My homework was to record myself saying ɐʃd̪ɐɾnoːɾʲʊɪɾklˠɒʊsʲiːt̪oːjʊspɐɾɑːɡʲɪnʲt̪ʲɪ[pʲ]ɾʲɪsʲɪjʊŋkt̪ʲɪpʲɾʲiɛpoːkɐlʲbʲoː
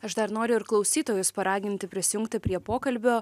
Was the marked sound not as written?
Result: no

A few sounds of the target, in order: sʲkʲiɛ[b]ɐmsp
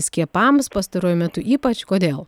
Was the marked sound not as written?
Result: yes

